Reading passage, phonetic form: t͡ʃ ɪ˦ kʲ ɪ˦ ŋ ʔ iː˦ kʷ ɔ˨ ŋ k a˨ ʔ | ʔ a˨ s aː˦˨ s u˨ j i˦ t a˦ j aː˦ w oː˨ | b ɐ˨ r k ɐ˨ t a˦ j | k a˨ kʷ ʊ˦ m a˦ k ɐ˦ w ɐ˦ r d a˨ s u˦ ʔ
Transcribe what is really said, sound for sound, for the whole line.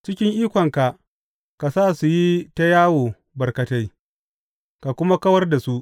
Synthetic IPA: t͡ʃ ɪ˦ kʲ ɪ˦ ŋ ʔ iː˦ kʷ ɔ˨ ŋ k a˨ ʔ | k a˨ s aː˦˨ s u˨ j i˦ t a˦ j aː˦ w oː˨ | b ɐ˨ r k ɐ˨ t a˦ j | k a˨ kʷ ʊ˦ m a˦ k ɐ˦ w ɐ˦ r d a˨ s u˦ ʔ